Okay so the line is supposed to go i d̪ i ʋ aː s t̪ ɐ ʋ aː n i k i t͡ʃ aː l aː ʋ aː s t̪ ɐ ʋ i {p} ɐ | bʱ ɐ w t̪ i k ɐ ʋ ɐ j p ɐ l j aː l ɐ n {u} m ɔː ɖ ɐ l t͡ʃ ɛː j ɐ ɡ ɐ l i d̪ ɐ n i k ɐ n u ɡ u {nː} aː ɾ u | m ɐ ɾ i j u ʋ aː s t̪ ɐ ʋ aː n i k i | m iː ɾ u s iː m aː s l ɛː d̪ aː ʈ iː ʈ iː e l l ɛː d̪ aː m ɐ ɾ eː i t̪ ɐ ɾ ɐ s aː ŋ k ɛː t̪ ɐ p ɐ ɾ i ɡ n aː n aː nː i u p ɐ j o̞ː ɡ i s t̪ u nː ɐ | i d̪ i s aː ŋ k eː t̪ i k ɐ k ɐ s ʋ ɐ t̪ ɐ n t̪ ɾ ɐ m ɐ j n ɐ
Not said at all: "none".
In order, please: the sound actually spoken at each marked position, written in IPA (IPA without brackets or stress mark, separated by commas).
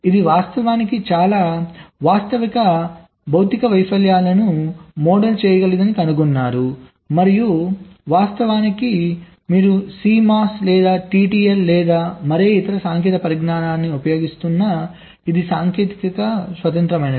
k, u, nː